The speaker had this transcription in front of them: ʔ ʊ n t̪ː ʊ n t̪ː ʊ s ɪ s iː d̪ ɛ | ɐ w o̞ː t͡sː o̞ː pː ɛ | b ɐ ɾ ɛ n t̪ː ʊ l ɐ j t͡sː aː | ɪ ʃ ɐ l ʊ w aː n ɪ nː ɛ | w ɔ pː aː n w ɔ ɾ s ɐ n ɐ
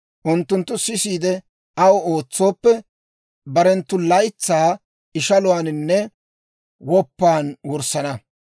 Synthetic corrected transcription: ʔ ʊ n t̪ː ʊ n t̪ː ʊ s ɪ s iː d̪ ɛ | ɐ w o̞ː t͡sː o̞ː pː ɛ | b ɐ ɾ ɛ n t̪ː ʊ l ɐ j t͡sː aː | ɪ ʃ ɐ l ʊ w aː n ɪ nː ɛ | w ɔ pː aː n w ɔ ɾ s ɐ n ɐ